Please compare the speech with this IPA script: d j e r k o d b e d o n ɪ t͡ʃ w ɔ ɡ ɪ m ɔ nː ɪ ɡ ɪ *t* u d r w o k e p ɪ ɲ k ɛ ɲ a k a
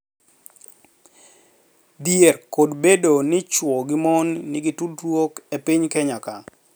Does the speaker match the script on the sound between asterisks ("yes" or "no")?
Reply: yes